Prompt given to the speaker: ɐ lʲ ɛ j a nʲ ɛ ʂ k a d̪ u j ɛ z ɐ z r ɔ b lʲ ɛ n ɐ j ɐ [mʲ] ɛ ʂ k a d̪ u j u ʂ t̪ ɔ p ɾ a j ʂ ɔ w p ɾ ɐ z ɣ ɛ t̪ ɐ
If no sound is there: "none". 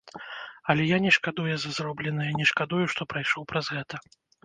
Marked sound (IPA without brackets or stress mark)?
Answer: nʲ